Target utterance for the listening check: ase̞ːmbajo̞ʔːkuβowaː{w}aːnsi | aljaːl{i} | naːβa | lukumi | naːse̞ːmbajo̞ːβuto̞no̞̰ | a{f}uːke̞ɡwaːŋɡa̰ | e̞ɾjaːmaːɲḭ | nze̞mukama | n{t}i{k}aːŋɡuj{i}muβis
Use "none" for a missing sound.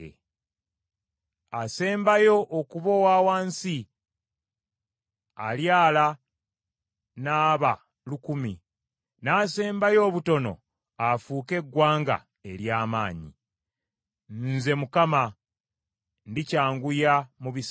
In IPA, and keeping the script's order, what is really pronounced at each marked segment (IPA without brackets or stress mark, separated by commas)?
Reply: w, a, f, d, c, a